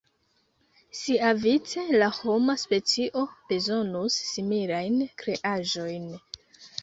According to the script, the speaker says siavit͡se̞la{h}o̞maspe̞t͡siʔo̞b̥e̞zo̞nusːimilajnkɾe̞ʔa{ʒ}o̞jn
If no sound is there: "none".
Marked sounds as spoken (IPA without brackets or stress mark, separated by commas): h, ʒ